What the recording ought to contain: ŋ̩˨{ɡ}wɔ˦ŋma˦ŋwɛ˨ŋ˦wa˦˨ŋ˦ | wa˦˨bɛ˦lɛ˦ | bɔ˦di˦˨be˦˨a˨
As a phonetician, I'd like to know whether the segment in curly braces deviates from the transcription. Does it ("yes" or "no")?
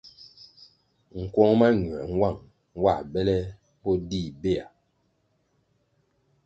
yes